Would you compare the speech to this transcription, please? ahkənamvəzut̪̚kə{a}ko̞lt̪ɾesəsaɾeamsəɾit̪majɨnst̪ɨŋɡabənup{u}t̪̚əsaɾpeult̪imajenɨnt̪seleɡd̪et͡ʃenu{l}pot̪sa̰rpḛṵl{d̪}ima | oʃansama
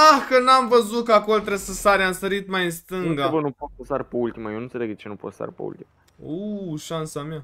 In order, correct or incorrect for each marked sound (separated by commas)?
correct, incorrect, incorrect, incorrect